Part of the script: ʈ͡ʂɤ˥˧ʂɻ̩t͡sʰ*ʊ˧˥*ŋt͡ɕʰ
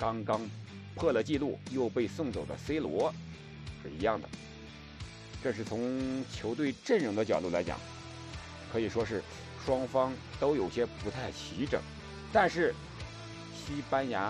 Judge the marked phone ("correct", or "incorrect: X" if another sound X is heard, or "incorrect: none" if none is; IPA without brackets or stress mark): correct